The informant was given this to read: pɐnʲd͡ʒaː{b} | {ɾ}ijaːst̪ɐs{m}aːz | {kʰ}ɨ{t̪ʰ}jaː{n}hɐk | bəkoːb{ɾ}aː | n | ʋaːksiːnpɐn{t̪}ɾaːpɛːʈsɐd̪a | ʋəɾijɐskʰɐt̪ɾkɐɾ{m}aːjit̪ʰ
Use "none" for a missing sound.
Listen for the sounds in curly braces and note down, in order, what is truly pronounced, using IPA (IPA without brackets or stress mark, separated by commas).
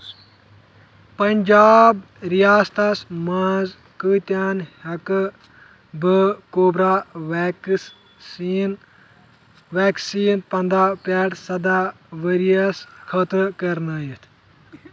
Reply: b, ɾ, m, k, t̪, n, ɾ, d̪, n